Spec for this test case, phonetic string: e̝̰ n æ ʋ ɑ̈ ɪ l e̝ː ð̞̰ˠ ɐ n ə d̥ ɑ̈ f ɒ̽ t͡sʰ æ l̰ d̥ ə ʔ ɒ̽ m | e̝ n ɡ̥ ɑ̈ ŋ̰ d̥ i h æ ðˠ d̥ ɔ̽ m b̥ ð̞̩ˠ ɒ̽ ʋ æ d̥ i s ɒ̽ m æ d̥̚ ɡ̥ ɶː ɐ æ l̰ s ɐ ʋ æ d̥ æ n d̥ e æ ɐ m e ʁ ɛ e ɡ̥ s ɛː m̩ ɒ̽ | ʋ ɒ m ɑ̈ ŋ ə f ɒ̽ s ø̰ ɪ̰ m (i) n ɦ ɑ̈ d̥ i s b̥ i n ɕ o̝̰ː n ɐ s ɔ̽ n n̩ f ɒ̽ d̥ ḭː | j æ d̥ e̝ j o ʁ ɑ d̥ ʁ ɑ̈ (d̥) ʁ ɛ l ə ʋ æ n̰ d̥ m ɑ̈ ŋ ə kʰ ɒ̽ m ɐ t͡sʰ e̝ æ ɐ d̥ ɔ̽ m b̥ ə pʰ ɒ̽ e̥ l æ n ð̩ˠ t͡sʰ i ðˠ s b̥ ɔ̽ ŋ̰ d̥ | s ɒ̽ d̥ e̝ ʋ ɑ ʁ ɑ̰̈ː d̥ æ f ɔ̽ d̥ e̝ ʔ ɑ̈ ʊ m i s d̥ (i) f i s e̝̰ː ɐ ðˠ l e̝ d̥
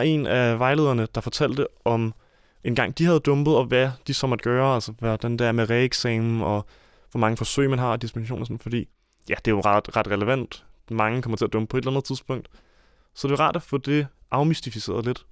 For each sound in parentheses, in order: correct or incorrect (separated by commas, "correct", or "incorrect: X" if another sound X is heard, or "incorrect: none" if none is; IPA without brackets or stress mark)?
incorrect: æ, correct, correct